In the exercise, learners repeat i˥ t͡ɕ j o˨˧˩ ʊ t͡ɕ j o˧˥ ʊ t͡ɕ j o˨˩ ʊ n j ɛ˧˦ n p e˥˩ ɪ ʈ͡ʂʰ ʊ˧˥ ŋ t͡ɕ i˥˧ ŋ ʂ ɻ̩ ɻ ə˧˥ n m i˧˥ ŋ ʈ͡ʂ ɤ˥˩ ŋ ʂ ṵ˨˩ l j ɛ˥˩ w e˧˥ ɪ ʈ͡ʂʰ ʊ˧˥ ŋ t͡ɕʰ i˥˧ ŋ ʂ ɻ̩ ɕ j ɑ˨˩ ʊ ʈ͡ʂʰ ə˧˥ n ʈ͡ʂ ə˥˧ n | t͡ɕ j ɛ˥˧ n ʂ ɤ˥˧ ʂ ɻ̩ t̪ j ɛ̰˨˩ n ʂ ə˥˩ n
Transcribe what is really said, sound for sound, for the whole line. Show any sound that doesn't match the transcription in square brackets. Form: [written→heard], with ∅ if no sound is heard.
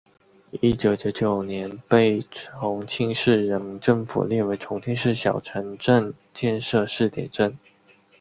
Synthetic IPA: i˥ t͡ɕ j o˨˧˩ ʊ t͡ɕ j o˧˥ ʊ t͡ɕ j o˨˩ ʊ n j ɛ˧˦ n p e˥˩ ɪ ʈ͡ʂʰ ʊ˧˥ ŋ [t͡ɕ→t͡ɕʰ] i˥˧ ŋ ʂ ɻ̩ ɻ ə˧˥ n m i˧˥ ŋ ʈ͡ʂ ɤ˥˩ ŋ [ʂ→f] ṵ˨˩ l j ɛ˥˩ w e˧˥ ɪ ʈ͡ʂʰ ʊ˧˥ ŋ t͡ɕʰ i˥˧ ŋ ʂ ɻ̩ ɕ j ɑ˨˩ ʊ ʈ͡ʂʰ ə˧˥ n ʈ͡ʂ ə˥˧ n | t͡ɕ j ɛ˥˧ n ʂ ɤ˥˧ ʂ ɻ̩ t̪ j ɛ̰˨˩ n [ʂ→ʈ͡ʂ] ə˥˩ n